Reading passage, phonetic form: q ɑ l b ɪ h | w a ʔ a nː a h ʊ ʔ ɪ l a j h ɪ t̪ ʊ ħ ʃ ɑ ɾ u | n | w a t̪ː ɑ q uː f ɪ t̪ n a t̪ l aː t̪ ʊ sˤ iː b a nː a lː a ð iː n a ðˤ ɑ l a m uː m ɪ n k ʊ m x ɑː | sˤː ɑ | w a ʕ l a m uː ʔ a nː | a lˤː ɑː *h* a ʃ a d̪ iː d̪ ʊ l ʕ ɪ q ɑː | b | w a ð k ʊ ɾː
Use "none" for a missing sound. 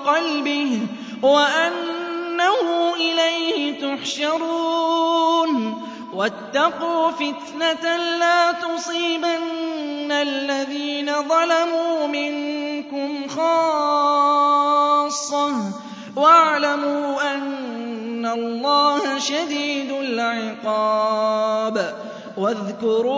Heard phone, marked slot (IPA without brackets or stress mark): h